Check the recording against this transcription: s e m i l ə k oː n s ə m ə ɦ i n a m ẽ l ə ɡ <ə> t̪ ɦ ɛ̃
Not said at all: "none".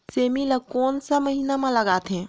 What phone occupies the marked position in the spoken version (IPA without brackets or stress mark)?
a